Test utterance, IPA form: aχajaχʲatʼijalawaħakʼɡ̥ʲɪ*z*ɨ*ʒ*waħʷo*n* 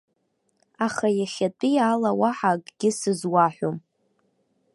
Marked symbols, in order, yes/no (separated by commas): no, no, no